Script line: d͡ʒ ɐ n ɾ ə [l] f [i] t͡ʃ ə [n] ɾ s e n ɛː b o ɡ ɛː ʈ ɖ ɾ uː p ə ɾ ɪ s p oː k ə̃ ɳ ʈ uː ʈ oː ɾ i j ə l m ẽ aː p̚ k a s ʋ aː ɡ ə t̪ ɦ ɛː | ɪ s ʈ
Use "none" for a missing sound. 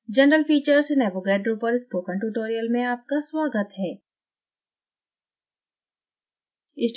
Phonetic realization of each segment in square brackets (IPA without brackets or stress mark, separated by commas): l, iː, none